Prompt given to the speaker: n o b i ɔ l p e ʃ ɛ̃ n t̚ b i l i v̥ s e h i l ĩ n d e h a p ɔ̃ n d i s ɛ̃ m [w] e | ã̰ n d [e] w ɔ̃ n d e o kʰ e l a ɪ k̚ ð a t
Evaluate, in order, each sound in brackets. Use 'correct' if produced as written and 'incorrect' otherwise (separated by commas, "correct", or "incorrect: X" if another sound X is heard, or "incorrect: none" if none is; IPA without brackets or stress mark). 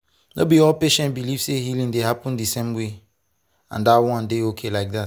correct, incorrect: a